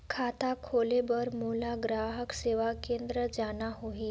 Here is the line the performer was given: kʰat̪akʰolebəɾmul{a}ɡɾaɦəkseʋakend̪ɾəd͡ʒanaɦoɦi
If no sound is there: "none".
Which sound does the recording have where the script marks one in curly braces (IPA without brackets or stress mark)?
a